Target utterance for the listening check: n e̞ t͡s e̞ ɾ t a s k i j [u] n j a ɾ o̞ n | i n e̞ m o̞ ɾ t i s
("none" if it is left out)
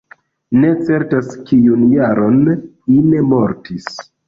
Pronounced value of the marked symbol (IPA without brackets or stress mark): u